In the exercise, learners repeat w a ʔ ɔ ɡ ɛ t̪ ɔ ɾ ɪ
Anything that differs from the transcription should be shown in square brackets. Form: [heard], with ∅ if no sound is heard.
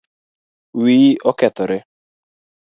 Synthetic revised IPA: w [i] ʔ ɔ [k] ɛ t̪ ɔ ɾ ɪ